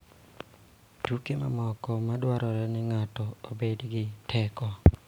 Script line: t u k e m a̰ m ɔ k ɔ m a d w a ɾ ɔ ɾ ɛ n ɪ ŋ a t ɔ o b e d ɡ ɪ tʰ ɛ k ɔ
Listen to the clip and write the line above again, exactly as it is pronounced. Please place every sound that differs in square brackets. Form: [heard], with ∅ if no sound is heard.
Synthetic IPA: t u k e m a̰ m ɔ k ɔ m a d w a ɾ ɔ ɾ ɛ n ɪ ŋ a t ɔ o b e d ɡ ɪ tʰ ɛ k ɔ